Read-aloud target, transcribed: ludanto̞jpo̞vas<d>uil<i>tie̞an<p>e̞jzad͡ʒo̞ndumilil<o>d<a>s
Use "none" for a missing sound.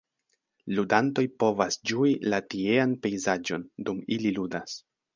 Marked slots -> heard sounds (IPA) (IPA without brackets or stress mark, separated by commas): d͡ʒ, a, p, u, a